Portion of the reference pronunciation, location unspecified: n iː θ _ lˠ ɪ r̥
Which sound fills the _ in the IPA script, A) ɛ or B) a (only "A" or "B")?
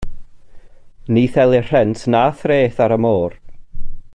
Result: A